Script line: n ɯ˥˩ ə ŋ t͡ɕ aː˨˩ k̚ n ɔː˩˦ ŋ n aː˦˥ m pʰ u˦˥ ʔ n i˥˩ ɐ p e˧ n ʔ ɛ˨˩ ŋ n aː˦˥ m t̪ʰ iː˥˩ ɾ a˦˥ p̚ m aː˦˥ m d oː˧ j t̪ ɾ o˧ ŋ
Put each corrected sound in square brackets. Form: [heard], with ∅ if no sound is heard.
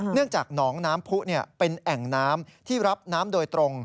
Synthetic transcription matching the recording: n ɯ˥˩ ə ŋ t͡ɕ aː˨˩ k̚ n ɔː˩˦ ŋ n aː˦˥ m pʰ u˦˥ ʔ n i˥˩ ɐ p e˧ n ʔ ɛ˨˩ ŋ n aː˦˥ m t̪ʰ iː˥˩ ɾ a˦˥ p̚ [n] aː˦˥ m d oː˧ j t̪ ɾ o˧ ŋ